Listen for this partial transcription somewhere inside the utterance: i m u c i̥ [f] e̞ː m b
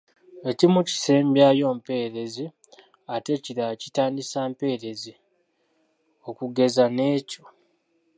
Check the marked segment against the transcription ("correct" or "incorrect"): incorrect